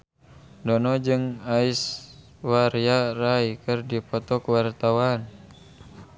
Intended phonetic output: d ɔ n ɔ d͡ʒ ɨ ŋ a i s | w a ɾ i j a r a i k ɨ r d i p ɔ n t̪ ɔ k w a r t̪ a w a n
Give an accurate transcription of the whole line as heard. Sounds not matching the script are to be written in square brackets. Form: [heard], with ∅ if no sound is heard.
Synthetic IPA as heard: d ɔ n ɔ d͡ʒ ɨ ŋ a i s | w a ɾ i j a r a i k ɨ r d i p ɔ [∅] t̪ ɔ k w a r t̪ a w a n